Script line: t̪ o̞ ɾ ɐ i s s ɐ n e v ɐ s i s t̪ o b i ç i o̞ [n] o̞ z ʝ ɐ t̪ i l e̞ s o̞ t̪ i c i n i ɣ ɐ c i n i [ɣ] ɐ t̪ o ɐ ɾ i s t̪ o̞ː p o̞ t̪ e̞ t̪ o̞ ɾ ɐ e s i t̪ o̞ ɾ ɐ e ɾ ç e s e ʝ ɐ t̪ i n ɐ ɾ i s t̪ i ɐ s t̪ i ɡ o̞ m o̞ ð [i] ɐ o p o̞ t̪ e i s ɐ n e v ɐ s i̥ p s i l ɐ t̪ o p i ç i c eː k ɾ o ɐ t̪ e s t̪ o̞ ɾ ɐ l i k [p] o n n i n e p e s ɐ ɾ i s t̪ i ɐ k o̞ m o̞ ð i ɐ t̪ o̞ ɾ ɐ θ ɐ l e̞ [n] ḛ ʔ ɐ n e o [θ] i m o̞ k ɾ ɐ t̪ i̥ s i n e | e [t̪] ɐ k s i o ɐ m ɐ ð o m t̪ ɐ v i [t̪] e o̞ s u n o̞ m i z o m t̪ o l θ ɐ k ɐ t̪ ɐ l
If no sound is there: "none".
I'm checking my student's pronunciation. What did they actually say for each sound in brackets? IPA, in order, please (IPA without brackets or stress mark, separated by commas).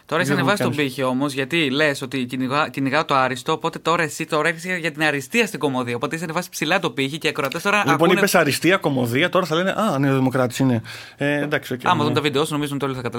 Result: m, ɣ, i, p, n, ð, d̪, d̪